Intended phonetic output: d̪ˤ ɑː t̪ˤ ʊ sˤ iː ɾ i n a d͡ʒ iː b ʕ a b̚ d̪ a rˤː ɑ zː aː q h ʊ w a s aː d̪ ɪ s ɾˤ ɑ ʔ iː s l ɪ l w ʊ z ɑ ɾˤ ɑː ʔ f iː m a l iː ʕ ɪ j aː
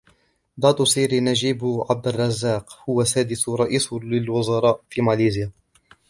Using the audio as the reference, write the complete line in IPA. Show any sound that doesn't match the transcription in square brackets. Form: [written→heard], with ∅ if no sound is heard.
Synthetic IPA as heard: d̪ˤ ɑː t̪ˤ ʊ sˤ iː ɾ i n a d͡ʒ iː b ʕ a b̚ d̪ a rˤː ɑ zː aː q h ʊ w a s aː d̪ ɪ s ɾˤ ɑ ʔ iː s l ɪ l w ʊ z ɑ ɾˤ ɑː ʔ f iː m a l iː [ʕ→z] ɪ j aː

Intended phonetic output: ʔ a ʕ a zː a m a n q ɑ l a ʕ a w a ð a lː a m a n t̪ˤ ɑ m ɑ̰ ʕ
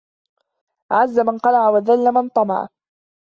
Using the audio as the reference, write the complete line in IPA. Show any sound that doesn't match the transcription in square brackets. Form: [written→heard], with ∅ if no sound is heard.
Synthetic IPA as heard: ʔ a ʕ a zː a m a n q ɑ l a ʕ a w a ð a lː a m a n t̪ˤ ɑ m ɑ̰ ʕ

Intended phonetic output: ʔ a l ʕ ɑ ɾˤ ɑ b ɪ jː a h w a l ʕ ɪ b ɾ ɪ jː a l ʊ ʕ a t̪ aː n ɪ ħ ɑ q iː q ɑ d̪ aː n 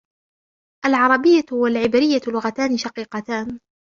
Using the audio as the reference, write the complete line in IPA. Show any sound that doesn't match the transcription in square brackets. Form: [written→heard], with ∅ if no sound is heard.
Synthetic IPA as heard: ʔ a l ʕ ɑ ɾˤ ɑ b ɪ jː a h w a l ʕ ɪ b ɾ ɪ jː a l ʊ [ʕ→ɣ] a t̪ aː n ɪ [ħ→ʃ] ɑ q iː q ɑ [d̪→t̪] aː n

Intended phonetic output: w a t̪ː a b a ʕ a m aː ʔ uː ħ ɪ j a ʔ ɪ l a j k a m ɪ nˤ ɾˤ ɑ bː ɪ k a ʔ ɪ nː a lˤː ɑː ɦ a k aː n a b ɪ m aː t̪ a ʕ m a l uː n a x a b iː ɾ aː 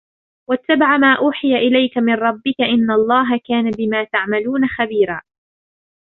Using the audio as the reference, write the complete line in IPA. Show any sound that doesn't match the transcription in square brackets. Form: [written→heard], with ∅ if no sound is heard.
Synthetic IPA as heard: w a t̪ː a b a ʕ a m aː ʔ uː ħ ɪ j a ʔ ɪ l a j k a m ɪ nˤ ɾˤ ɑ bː ɪ k a ʔ ɪ nː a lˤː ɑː ɦ a k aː n a b ɪ m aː t̪ a ʕ m a l uː n a x a b iː ɾ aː

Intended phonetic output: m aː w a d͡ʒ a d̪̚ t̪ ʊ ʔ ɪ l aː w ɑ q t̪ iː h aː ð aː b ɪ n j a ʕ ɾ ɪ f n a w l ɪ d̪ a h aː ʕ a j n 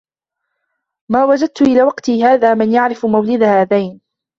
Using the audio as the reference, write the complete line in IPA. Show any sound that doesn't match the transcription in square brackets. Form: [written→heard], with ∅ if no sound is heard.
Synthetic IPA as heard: m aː w a d͡ʒ a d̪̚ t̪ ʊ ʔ ɪ l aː w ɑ q t̪ iː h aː ð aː [b→m] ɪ n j a ʕ ɾ ɪ f [n→m] a w l ɪ d̪ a h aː [ʕ→ð] a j n

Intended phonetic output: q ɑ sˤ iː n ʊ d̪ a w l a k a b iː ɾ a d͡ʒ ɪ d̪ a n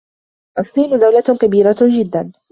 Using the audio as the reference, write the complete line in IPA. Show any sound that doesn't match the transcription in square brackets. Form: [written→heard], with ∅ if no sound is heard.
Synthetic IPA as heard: [q→ʔ] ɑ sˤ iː n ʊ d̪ a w l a k a b iː ɾ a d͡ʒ ɪ [d̪→d̪ː] a n

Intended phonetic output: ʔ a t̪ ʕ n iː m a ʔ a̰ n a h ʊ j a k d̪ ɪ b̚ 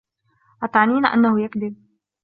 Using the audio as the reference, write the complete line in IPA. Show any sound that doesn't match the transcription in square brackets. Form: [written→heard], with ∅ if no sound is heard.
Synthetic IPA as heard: ʔ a t̪ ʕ n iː [m→n] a ʔ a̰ [n→nː] a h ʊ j a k d̪ ɪ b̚

